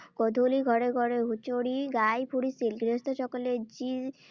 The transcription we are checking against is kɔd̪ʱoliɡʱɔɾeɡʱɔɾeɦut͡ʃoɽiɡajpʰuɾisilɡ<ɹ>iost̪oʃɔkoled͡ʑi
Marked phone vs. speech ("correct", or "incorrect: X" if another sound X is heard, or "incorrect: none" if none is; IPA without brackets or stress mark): incorrect: ɾ